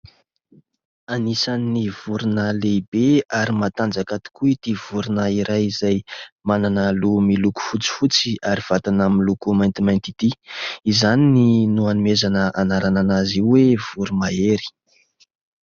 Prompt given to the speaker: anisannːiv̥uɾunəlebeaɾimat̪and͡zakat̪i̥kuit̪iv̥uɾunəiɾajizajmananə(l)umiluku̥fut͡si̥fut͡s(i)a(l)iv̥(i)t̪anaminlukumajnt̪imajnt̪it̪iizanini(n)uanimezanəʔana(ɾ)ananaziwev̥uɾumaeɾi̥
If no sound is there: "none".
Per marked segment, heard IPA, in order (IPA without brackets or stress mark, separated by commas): l, i, ɾ, a, n, ɾ